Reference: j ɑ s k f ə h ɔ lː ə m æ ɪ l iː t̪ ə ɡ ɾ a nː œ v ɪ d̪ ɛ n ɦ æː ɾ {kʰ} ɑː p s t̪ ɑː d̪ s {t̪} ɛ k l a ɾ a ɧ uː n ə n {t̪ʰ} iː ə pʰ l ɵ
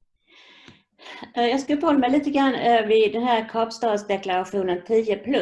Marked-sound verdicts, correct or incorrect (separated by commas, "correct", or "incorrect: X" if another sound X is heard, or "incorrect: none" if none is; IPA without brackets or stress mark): correct, incorrect: d̪, correct